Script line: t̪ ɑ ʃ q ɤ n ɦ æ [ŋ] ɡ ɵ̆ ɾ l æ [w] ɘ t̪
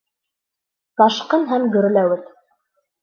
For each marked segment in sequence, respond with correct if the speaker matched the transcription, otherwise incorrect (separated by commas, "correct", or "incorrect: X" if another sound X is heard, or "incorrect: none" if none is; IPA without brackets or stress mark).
incorrect: m, correct